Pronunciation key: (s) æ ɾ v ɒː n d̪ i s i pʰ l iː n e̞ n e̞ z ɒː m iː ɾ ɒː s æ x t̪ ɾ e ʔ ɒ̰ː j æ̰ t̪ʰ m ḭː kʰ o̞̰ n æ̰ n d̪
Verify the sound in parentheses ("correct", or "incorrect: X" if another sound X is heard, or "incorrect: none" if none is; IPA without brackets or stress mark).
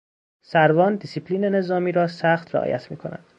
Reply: correct